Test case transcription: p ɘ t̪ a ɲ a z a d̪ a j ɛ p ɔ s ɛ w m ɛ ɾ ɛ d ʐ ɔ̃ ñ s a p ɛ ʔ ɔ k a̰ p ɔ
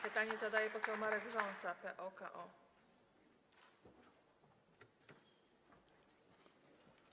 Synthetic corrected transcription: p ɘ t̪ a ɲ ɛ z a d̪ a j ɛ p ɔ s ɛ w m a ɾ ɛ ɡ ʐ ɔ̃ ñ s a p ɛ ʔ ɔ k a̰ ʔ ɔ